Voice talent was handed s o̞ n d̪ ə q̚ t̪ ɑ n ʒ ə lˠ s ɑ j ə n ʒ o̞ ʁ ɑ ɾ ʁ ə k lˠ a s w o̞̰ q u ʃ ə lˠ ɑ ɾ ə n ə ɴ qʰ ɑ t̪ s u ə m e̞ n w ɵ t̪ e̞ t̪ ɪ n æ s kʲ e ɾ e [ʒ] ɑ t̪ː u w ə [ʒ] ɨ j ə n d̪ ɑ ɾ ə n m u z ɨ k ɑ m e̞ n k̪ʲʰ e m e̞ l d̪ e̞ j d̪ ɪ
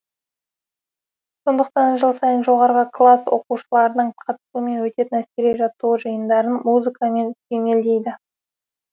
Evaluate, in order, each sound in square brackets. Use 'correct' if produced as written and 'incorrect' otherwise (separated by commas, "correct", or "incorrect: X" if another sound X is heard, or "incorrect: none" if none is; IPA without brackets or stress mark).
correct, correct